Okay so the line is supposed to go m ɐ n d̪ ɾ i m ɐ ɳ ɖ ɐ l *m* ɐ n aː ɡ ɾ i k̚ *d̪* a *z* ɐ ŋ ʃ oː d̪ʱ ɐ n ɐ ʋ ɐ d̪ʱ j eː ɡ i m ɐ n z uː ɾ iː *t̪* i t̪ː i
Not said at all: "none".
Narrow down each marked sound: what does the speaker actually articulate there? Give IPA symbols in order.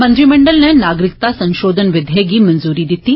n, t̪, s, d̪

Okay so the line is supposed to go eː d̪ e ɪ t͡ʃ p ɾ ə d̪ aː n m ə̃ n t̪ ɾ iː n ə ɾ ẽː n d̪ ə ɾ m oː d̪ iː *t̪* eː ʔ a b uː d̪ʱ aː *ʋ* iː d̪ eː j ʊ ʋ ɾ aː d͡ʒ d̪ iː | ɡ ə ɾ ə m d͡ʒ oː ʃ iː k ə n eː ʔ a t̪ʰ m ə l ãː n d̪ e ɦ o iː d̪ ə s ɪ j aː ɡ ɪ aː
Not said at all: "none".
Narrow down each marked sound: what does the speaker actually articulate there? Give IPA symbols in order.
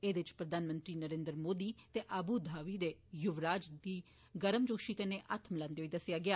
t̪, ʋ

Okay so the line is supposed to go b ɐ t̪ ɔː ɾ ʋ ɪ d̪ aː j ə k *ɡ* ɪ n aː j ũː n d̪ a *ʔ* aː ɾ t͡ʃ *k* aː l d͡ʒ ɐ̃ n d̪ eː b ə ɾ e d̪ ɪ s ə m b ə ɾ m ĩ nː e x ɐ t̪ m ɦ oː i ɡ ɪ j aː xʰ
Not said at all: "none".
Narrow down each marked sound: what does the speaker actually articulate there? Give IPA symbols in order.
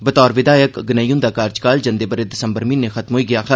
ɡ, k, k

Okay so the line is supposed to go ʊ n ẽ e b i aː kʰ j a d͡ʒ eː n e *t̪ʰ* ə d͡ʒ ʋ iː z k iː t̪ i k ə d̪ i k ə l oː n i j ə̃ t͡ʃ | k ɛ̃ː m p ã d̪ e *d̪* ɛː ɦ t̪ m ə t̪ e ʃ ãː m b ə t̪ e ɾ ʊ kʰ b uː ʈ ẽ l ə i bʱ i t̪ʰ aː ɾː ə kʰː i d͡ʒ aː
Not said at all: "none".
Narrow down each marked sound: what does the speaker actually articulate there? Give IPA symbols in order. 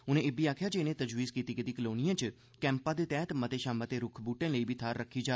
t̪, t̪

